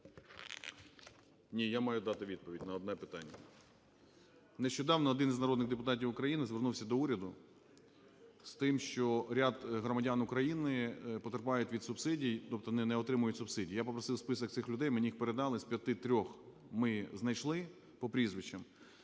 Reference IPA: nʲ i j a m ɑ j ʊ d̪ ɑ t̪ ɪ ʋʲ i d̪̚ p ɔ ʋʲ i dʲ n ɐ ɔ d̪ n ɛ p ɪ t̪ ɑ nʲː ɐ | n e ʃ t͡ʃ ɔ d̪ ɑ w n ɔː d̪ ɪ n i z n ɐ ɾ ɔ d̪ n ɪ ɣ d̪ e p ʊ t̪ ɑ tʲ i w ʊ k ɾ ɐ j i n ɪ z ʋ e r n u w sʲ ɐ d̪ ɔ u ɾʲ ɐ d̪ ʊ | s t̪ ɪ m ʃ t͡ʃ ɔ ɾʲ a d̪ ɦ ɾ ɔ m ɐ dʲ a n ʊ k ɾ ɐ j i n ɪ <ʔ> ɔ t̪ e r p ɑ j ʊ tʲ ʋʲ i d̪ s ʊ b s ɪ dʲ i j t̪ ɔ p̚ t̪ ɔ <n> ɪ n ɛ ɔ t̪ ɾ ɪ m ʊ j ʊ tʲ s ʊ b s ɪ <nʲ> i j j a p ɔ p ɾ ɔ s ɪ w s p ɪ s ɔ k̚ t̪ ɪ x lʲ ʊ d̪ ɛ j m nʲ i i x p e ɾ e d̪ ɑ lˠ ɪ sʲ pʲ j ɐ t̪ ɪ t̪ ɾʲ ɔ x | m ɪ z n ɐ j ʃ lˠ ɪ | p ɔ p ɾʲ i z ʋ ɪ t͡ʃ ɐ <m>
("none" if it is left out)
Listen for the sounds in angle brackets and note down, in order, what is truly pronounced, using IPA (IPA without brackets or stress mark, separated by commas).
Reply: p, n, dʲ, m